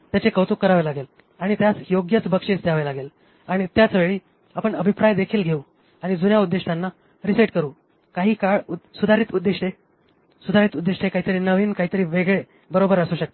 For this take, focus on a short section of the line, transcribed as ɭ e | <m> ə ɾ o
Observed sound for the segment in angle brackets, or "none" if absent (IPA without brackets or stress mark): b